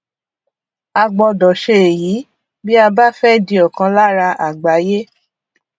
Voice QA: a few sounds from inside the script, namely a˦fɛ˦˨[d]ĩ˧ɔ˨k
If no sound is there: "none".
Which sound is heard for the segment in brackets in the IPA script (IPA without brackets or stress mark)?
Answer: d